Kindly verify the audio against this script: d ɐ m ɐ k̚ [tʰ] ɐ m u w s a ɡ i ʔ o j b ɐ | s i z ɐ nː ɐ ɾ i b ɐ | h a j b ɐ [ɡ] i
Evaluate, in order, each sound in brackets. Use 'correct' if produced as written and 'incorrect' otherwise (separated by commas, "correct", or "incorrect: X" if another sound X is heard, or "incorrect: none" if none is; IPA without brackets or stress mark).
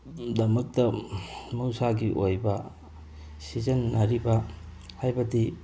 incorrect: t, incorrect: d